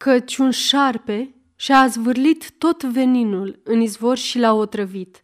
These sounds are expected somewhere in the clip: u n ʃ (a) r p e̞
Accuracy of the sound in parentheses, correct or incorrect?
correct